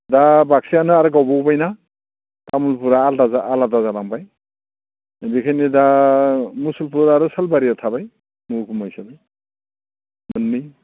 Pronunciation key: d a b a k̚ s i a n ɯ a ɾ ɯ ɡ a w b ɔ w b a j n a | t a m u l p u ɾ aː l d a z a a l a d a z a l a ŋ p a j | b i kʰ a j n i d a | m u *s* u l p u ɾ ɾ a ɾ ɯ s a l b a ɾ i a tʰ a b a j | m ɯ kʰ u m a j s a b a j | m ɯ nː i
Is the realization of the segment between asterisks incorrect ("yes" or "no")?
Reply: no